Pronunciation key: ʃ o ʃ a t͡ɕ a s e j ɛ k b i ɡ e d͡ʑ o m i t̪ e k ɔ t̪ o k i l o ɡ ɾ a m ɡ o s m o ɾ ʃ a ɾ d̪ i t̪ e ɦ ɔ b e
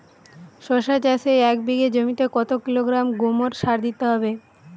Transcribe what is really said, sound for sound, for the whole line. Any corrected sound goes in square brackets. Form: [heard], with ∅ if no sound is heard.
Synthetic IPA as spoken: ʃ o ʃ a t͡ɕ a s e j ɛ k b i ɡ e d͡ʑ o m i t̪ e k ɔ t̪ o k i l o ɡ ɾ a m ɡ o [∅] m o ɾ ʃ a ɾ d̪ i t̪ e ɦ ɔ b e